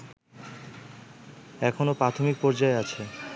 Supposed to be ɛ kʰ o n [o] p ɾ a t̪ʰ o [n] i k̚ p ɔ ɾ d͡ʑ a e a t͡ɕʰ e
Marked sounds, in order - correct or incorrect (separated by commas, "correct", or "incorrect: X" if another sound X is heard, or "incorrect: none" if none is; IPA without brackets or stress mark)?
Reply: correct, incorrect: m